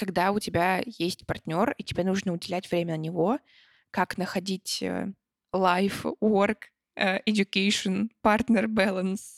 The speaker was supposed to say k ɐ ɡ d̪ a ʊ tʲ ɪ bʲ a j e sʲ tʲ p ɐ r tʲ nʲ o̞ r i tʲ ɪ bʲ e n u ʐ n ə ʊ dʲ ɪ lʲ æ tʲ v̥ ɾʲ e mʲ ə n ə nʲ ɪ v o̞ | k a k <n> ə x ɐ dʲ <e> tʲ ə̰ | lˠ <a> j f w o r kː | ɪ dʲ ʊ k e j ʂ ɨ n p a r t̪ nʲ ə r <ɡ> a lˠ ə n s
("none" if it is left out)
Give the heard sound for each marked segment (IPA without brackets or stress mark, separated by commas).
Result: n, i, a, b